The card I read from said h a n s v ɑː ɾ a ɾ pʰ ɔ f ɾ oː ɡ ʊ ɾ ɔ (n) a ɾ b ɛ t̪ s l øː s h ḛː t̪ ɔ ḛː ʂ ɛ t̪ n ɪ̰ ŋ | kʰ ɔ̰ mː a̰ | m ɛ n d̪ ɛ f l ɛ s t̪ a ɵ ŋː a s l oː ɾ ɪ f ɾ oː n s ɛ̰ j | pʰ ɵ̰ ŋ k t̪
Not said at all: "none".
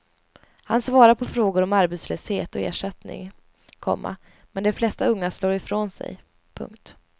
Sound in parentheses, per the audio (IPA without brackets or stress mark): m